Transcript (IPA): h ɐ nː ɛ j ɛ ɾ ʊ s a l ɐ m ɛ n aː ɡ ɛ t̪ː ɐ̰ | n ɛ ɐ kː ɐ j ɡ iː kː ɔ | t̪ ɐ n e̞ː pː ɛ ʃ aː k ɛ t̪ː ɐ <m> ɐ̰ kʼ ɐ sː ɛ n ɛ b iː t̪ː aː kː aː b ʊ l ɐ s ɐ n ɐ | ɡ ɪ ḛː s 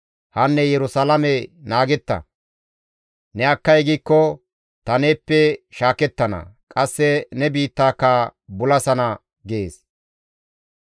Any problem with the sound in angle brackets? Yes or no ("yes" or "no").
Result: yes